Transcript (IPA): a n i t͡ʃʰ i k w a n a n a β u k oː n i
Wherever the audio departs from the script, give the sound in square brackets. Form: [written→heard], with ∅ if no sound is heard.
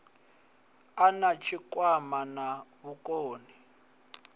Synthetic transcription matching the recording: a n [i→a] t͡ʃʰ i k w a [n→m] a n a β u k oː n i